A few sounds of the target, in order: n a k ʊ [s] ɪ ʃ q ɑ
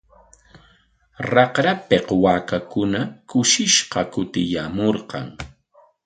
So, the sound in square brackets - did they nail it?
no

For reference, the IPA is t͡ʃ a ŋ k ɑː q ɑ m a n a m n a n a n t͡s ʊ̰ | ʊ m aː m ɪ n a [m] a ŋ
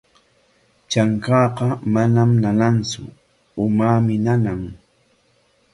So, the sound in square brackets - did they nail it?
no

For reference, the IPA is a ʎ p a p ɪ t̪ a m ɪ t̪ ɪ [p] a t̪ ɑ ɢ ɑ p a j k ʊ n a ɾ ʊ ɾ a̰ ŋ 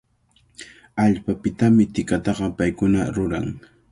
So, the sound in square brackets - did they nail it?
no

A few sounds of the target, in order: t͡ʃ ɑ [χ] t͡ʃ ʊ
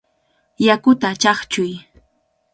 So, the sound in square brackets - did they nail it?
yes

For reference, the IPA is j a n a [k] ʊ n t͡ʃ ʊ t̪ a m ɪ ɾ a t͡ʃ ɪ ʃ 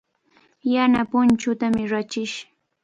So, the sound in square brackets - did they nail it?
no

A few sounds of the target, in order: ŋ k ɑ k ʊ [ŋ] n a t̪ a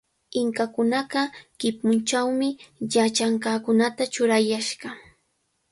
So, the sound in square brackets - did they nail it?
no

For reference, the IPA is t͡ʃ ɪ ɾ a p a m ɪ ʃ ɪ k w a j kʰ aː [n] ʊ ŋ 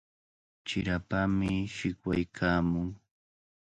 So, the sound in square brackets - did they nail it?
no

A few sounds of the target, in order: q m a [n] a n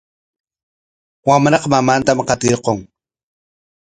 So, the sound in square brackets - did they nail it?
no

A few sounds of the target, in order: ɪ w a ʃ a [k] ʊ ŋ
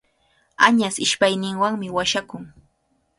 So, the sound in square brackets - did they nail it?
yes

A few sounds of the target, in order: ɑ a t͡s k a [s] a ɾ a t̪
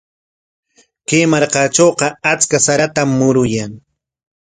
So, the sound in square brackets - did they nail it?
yes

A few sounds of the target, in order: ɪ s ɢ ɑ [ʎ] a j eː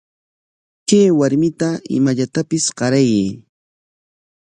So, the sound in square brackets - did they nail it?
no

